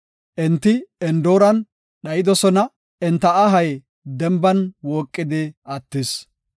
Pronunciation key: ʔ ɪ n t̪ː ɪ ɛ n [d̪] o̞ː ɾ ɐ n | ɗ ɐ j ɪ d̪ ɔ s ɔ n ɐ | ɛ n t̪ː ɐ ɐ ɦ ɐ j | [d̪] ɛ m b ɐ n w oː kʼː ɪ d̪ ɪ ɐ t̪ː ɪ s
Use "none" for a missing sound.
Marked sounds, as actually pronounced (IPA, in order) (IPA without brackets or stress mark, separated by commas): d̪, d̪